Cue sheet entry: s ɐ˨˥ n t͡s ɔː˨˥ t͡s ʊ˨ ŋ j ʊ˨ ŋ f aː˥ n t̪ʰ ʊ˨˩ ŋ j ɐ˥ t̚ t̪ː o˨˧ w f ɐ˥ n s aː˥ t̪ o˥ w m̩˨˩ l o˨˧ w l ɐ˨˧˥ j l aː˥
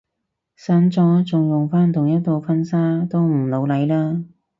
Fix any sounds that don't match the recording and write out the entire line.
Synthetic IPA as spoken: s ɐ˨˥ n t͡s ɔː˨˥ t͡s ʊ˨ ŋ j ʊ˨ ŋ f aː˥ n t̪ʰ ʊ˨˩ ŋ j ɐ˥ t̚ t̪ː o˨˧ w f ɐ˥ n s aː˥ t̪ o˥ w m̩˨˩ l o˨˧ w l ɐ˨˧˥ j l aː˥